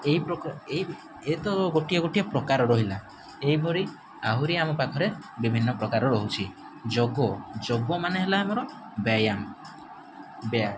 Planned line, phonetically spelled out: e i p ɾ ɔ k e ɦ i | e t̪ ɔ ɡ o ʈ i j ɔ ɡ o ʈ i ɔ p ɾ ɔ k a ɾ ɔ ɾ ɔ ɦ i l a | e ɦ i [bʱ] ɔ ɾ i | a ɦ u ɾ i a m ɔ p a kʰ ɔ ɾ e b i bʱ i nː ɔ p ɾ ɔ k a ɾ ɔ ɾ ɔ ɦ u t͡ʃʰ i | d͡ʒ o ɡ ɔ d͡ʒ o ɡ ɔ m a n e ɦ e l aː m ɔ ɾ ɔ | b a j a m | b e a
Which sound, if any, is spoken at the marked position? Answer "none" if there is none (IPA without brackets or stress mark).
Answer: bʱ